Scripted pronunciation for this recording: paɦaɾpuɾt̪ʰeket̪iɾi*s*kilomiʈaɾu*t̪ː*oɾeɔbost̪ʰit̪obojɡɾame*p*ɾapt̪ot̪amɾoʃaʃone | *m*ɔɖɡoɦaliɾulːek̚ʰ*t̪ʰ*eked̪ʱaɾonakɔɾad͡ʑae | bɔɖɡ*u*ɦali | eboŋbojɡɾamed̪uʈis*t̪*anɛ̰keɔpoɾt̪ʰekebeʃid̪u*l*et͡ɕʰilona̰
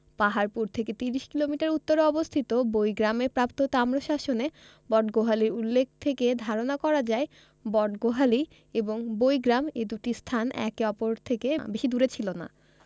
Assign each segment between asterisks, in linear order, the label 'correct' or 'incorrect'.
incorrect, correct, correct, incorrect, correct, incorrect, incorrect, incorrect

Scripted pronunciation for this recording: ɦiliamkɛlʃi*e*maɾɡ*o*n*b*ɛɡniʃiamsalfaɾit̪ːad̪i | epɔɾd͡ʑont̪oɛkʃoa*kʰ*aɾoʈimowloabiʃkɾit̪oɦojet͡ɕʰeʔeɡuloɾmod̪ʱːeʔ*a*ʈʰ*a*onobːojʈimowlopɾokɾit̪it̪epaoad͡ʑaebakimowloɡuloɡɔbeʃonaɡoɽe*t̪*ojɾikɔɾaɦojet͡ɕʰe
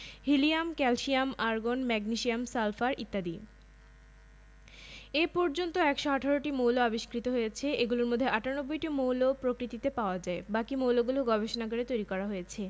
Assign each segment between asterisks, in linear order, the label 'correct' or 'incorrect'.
incorrect, correct, incorrect, incorrect, correct, correct, correct

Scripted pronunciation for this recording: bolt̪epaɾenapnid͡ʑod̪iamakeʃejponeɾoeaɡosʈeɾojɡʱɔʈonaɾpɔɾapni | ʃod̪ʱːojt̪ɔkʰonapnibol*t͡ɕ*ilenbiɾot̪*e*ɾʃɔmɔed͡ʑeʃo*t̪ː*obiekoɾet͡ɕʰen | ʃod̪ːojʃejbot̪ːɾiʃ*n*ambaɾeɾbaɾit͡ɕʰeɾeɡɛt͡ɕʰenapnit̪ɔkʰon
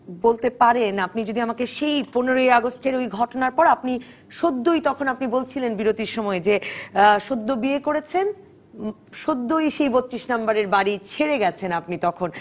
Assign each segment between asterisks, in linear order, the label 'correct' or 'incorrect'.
incorrect, incorrect, incorrect, correct

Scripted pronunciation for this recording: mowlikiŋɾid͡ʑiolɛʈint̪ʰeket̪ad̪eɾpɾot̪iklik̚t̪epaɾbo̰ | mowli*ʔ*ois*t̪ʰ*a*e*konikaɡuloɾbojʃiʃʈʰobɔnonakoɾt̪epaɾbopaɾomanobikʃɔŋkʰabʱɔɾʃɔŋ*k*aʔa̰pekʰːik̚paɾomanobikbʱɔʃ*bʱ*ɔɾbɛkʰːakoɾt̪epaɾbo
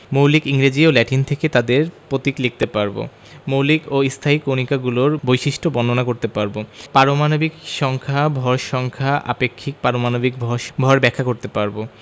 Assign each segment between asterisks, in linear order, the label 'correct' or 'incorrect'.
incorrect, correct, incorrect, incorrect, correct

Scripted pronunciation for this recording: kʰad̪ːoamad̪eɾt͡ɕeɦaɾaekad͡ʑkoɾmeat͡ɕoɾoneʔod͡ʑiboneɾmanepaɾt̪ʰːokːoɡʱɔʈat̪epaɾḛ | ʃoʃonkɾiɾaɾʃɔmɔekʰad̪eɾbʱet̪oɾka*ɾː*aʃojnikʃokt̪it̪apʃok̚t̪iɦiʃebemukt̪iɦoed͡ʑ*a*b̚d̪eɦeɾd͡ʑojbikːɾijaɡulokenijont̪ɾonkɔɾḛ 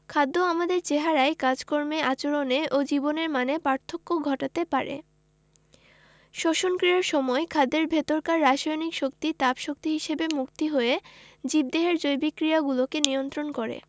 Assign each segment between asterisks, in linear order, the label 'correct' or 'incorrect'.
correct, incorrect

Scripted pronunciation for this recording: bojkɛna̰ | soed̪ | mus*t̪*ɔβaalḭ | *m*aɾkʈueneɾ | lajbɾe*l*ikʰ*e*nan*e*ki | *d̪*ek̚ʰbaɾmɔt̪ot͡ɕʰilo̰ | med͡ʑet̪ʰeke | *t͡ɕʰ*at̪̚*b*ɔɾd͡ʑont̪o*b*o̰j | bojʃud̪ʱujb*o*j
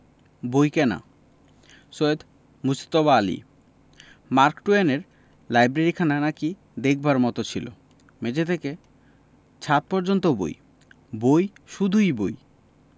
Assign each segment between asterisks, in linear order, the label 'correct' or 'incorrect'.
correct, correct, incorrect, incorrect, incorrect, correct, correct, incorrect, correct, correct

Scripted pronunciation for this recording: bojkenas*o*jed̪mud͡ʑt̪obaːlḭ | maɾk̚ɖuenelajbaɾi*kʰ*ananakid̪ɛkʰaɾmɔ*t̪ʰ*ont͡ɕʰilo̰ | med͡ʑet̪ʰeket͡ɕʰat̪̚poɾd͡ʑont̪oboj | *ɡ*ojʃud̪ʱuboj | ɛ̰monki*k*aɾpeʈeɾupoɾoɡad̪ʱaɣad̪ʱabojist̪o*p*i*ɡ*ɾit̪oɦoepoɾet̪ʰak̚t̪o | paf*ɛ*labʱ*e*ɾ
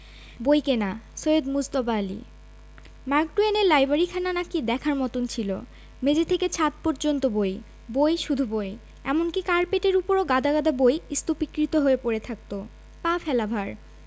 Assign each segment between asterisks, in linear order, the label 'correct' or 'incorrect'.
correct, correct, incorrect, incorrect, correct, correct, incorrect, correct, incorrect

